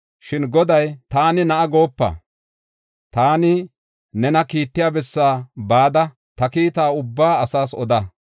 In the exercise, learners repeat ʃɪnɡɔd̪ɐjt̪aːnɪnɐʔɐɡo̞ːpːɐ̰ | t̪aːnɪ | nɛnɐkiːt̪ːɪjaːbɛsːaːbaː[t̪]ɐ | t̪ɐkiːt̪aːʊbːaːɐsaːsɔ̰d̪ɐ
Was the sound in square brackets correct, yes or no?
no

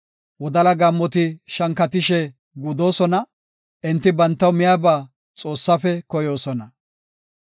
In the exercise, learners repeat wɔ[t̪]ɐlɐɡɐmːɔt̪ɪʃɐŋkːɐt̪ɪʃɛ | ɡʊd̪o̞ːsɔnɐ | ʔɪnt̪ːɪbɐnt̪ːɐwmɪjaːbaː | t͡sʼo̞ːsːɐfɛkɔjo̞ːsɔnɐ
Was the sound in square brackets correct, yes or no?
no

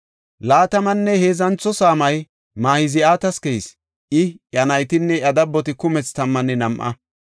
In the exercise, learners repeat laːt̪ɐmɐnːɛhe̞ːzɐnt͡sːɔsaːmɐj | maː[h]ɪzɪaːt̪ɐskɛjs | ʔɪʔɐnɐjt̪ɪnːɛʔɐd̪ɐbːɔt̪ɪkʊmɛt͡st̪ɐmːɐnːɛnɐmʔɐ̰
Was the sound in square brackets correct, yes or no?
yes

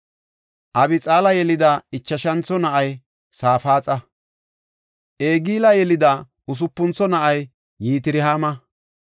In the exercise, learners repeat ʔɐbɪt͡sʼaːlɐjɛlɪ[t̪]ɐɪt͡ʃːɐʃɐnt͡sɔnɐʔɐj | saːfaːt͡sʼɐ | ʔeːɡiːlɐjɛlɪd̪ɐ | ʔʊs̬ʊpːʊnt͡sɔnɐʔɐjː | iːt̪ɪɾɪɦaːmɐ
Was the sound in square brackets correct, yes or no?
no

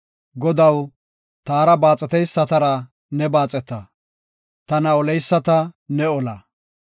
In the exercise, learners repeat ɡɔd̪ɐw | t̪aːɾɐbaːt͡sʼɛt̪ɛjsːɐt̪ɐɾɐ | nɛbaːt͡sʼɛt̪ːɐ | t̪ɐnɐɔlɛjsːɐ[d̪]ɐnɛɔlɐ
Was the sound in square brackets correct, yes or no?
no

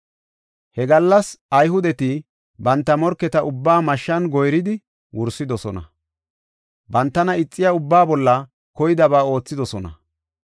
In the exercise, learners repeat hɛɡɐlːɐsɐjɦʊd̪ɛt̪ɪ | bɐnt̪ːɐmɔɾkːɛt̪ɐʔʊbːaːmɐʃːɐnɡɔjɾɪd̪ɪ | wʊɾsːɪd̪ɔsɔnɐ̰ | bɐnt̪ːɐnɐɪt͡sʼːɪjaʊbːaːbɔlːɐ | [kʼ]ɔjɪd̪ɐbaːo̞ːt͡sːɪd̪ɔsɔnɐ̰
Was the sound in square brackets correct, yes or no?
no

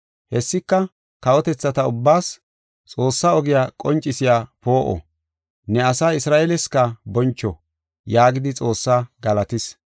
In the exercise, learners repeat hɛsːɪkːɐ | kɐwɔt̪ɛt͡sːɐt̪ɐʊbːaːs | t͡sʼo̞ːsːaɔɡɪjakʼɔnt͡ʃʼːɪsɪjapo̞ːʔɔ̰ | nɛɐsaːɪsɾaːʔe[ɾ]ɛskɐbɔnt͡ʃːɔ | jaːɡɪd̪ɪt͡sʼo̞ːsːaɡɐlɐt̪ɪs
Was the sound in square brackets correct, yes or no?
no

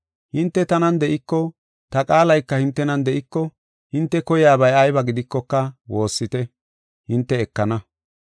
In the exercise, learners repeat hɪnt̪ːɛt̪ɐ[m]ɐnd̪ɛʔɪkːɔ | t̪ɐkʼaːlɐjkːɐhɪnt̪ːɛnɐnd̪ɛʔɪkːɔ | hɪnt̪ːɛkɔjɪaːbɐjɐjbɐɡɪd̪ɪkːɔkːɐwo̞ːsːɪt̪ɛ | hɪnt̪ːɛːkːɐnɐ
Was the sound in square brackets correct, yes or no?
no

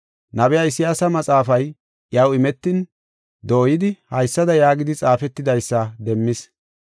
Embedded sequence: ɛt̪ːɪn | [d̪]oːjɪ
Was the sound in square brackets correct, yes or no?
yes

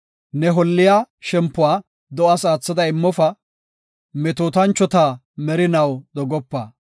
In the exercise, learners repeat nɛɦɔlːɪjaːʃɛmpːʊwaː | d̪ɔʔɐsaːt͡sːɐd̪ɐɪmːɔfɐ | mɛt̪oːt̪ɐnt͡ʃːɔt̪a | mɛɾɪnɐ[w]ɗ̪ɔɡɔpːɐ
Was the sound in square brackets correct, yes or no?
yes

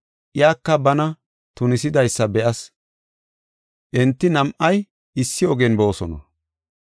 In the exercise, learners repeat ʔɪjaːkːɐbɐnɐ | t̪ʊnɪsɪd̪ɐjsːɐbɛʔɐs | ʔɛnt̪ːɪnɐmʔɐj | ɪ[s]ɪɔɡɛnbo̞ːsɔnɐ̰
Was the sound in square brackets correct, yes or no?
no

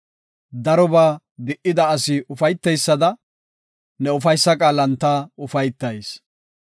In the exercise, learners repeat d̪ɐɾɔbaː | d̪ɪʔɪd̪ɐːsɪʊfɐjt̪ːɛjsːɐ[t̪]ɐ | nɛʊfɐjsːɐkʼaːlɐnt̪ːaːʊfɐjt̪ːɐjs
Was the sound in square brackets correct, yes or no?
no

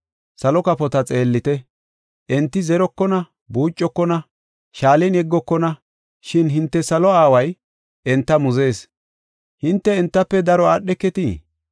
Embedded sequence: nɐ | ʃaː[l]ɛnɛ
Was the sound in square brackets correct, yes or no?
yes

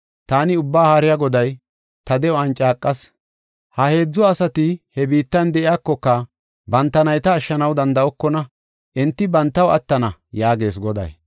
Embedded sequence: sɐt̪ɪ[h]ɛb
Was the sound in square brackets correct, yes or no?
yes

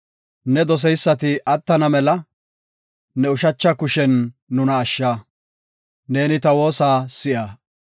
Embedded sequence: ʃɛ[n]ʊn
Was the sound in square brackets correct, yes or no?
no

